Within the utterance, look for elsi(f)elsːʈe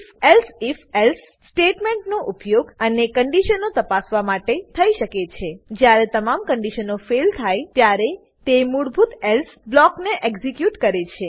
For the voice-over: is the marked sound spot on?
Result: yes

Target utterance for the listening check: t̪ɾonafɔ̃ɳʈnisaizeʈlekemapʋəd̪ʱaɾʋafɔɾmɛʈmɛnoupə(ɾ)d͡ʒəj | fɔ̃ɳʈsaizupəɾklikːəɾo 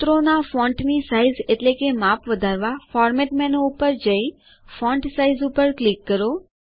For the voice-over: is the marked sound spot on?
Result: yes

